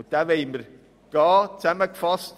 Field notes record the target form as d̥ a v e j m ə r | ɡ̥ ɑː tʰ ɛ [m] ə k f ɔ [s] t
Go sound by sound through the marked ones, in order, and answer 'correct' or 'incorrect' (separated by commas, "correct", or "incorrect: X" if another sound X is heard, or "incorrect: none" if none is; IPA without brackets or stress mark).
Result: correct, correct